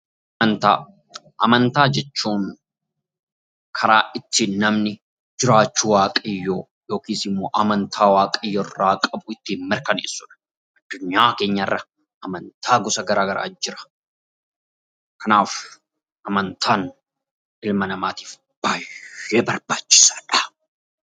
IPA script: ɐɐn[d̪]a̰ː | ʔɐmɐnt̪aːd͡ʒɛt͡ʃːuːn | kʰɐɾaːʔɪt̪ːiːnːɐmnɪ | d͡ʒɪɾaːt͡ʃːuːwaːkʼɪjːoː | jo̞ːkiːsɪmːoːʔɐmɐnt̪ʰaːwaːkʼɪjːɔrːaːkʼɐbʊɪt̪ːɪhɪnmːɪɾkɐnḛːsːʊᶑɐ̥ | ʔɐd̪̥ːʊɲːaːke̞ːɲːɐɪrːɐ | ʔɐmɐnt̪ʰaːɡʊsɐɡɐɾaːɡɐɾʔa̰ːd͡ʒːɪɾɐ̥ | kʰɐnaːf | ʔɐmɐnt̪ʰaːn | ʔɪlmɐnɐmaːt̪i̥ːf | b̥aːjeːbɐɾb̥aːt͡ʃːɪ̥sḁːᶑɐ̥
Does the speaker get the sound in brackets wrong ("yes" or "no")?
yes